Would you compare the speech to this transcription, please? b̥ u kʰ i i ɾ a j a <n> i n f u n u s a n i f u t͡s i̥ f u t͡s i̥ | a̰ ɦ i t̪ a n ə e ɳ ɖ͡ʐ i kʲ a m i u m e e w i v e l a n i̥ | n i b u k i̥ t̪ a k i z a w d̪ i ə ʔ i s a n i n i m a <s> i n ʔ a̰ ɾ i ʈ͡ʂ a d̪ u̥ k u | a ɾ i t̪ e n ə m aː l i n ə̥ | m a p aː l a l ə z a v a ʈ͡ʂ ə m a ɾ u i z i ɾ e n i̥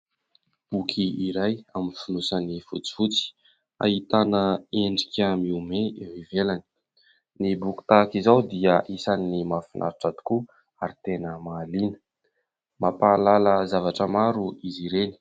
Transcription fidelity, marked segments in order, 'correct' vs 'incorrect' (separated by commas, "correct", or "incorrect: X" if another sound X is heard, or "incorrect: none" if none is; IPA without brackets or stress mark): incorrect: m, incorrect: f